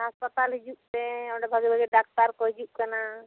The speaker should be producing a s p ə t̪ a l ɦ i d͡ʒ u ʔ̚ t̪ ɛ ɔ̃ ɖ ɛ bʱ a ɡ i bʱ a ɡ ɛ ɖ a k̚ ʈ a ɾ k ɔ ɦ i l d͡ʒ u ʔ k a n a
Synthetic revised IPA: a s p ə t̪ a l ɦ i d͡ʒ u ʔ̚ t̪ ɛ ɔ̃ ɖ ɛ bʱ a ɡ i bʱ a ɡ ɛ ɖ a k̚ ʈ a ɾ k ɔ ɦ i d͡ʒ u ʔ k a n a